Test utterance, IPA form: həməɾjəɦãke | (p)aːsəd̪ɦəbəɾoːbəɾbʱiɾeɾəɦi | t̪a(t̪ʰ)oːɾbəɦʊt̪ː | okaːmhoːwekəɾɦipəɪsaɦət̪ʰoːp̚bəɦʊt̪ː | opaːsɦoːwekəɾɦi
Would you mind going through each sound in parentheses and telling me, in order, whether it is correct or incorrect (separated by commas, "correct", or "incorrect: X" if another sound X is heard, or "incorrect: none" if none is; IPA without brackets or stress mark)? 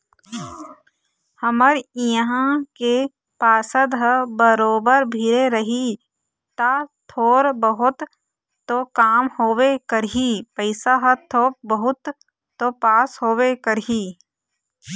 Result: correct, correct